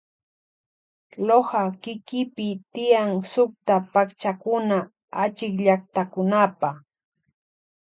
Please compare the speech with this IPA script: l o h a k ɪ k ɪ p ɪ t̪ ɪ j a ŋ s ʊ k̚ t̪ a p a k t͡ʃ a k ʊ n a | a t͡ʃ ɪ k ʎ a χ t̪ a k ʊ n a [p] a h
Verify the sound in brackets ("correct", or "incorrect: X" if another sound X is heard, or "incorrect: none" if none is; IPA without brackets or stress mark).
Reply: correct